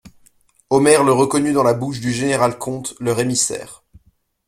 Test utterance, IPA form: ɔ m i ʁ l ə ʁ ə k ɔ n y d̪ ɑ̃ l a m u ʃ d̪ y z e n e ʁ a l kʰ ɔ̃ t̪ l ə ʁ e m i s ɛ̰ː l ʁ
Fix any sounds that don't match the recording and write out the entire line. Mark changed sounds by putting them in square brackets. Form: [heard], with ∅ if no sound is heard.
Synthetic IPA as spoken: ɔ m [ɛ] ʁ l ə ʁ ə k ɔ n y d̪ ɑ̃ l a [b] u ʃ d̪ y [ʒ] e n e ʁ a l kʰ ɔ̃ t̪ l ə ʁ e m i s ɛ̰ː [∅] ʁ

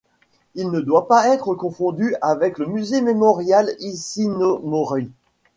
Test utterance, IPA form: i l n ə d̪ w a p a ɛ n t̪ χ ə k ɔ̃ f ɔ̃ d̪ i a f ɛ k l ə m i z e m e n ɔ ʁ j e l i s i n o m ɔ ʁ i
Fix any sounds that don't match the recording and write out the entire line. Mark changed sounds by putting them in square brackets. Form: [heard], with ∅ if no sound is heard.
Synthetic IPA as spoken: i l n ə d̪ w a p a ɛ [∅] t̪ χ ə k ɔ̃ f ɔ̃ d̪ [y] a [v] ɛ k l ə m [y] z e m e [m] ɔ ʁ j [a] l i s i n o m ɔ ʁ i

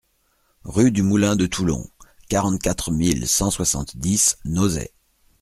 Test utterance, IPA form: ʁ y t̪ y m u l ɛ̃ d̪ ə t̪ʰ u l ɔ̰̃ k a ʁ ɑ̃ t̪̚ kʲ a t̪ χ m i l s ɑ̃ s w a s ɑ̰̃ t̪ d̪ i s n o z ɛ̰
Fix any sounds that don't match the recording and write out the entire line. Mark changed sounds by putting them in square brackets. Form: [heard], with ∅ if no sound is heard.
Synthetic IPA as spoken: ʁ y [d̪] y m u l ɛ̃ d̪ ə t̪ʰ u l ɔ̰̃ k a ʁ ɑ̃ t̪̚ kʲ a t̪ χ m i l s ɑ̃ s w a s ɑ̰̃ t̪ d̪ i s n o z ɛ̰

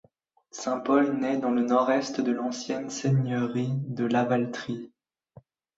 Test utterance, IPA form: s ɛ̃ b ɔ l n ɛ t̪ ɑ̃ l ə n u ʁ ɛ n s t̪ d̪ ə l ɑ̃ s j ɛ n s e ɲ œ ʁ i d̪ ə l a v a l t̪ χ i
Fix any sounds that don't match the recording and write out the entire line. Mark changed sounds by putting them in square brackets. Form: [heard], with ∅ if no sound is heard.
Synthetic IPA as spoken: s ɛ̃ [p] ɔ l n ɛ [d̪] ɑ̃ l ə n [ɔ] ʁ ɛ [∅] s t̪ d̪ ə l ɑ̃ s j ɛ n s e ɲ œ ʁ i d̪ ə l a v a l t̪ χ i

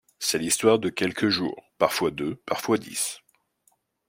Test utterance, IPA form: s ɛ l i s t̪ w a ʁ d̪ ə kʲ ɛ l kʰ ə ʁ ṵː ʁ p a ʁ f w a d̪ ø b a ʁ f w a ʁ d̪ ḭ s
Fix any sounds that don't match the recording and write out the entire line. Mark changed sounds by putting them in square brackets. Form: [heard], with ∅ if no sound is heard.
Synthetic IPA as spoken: s ɛ l i s t̪ w a ʁ d̪ ə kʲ ɛ l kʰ ə [ʒ] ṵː ʁ p a ʁ f w a d̪ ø [p] a ʁ f w a [∅] d̪ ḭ s

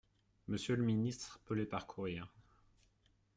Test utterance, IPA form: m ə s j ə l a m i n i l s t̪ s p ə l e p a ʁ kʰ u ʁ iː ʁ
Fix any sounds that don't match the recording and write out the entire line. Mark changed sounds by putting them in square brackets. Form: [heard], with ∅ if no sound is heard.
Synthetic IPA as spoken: m ə s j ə l [ə] m i n i [∅] s t̪ [χ] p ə l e p a ʁ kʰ u ʁ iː ʁ

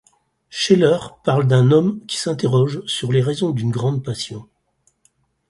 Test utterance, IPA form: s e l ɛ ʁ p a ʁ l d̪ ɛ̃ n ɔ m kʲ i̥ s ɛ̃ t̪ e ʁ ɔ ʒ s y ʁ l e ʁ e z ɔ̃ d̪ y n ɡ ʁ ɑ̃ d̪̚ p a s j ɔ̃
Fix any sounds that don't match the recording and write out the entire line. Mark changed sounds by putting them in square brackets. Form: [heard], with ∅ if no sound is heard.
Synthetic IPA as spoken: [ʃ] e l [œ] ʁ p a ʁ l d̪ ɛ̃ n ɔ m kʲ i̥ s ɛ̃ t̪ e ʁ ɔ ʒ s y ʁ l e ʁ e z ɔ̃ d̪ y n ɡ ʁ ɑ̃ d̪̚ p a s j ɔ̃

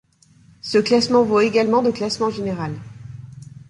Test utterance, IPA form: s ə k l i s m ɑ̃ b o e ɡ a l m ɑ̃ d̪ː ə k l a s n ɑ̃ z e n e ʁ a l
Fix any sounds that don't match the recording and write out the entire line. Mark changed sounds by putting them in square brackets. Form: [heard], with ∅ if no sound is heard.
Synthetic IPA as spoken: s ə k l [a] s m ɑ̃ [v] o e ɡ a l m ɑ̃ [d̪] ə k l a s [m] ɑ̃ [ʒ] e n e ʁ a l

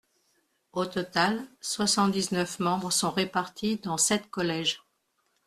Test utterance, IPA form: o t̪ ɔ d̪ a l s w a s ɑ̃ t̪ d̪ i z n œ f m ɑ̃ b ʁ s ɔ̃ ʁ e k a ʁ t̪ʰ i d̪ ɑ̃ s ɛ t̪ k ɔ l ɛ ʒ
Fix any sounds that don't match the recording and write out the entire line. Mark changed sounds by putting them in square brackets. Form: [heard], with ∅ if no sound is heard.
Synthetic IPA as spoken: o t̪ ɔ [t̪] a l s w a s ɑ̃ t̪ d̪ i z n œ f m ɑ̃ b ʁ s ɔ̃ ʁ e [p] a ʁ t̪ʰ i d̪ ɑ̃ s ɛ t̪ k ɔ l ɛ ʒ

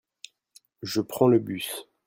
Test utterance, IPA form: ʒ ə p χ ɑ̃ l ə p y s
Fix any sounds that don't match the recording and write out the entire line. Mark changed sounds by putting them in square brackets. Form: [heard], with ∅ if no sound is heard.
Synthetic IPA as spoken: ʒ ə p χ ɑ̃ l ə [b] y s

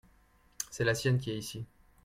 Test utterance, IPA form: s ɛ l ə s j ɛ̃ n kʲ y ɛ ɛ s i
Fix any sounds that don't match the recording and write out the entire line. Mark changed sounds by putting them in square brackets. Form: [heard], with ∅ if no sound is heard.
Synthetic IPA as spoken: s ɛ l [a] s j [ɛ] n kʲ [i] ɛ [i] s i

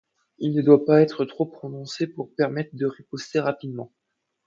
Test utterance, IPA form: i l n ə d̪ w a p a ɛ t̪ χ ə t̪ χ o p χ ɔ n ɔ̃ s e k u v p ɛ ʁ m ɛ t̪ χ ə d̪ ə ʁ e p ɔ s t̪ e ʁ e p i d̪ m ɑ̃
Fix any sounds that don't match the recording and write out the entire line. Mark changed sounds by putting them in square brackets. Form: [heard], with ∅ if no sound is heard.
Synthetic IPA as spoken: i l n ə d̪ w a p a ɛ t̪ χ ə t̪ χ o p χ ɔ n ɔ̃ s e [p] u [ʁ] p ɛ ʁ m ɛ t̪ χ ə d̪ ə ʁ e p ɔ s t̪ e ʁ [a] p i d̪ m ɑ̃

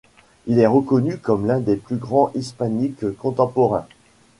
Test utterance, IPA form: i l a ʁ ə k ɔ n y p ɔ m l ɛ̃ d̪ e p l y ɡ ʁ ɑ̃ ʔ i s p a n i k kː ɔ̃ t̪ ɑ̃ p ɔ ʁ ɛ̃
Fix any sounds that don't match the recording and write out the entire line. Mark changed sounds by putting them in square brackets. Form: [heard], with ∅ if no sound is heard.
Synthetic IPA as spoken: i l [ɛ] ʁ ə k ɔ n y [k] ɔ m l ɛ̃ d̪ e p l y ɡ ʁ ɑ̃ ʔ i s p a n i k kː ɔ̃ t̪ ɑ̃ p ɔ ʁ ɛ̃

